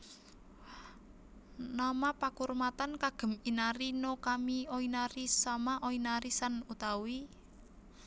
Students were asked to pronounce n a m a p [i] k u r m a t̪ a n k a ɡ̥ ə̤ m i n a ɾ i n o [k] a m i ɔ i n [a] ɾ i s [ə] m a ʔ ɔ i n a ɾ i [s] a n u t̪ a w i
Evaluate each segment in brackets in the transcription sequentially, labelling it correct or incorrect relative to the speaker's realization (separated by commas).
incorrect, correct, correct, incorrect, correct